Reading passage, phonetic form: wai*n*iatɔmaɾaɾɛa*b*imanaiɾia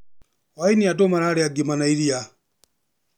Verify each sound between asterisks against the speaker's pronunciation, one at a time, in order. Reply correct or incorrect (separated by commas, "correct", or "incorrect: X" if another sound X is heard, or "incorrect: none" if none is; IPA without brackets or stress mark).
correct, incorrect: ɡ